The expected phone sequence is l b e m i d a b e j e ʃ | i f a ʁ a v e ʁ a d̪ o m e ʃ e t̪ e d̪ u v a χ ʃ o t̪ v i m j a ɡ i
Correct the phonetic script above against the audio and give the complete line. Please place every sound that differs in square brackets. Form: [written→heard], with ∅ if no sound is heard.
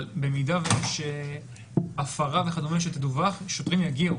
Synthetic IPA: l b e m i d a [b→v] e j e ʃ | [i→a] f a ʁ a v e [ʁ→χ] a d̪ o m e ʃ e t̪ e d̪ u v a χ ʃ o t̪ [v→ʁ] i m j a ɡ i